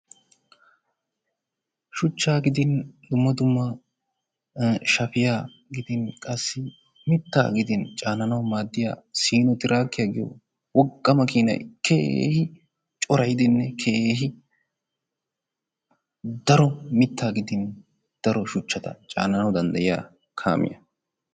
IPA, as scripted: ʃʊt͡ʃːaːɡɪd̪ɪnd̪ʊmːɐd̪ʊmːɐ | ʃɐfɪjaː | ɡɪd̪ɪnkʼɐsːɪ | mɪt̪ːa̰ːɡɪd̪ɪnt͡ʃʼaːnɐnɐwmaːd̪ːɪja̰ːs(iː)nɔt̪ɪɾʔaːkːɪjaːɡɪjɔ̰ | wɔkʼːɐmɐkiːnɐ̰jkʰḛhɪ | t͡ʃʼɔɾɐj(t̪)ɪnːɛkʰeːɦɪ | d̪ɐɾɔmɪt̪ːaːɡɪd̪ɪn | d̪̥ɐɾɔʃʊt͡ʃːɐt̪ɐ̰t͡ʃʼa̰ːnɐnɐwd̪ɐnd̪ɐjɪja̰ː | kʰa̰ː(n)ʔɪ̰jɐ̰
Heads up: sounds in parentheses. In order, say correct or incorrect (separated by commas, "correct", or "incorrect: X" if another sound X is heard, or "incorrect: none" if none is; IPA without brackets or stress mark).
correct, incorrect: d̪, incorrect: m